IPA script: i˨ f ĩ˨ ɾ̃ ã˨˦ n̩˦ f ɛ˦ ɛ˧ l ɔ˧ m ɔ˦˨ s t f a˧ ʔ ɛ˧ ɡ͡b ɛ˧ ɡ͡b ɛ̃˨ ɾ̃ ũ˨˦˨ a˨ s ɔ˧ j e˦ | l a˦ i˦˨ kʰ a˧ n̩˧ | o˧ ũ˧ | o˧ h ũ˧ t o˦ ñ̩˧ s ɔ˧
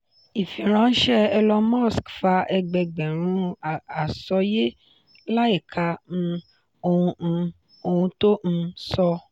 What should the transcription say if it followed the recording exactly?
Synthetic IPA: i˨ f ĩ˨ ɾ̃ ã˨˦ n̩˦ ʃ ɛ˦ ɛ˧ l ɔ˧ m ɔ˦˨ s k f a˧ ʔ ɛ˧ ɡ͡b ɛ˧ ɡ͡b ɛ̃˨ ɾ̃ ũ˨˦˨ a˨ s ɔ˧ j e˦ | l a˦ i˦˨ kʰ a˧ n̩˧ | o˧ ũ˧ | o˧ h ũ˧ t o˦ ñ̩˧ s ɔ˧